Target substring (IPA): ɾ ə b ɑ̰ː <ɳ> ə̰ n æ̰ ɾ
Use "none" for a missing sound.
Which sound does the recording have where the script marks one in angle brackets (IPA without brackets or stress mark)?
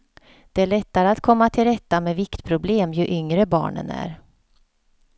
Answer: ɳ